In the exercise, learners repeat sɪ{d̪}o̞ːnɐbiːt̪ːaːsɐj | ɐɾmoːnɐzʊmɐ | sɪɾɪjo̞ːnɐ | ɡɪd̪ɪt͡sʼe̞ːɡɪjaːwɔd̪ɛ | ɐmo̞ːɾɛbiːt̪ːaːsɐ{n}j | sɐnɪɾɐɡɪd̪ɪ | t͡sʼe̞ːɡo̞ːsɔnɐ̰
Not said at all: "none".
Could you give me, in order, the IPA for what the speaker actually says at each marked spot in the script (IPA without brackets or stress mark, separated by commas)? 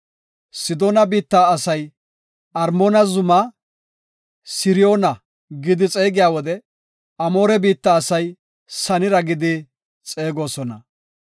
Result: d̪, none